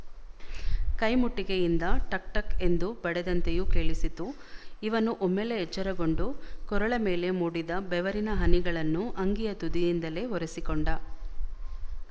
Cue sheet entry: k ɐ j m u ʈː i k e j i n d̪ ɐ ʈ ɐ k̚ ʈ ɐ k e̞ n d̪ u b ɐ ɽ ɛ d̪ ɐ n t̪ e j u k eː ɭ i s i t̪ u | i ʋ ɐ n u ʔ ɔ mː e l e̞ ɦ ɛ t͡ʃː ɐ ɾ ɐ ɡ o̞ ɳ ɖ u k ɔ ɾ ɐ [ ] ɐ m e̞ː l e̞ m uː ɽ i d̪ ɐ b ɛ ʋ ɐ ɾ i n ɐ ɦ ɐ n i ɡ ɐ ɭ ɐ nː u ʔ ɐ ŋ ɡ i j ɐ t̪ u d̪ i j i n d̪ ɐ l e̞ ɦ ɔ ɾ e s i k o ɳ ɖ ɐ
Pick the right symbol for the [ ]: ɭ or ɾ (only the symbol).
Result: ɭ